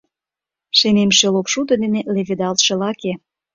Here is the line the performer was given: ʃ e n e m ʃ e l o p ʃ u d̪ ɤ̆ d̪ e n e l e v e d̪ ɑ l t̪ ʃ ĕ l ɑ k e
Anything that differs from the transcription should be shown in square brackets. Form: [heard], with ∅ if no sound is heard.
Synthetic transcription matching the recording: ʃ e n e m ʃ e l o p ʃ u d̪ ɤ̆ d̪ e n e l e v e d̪ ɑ l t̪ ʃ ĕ l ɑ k e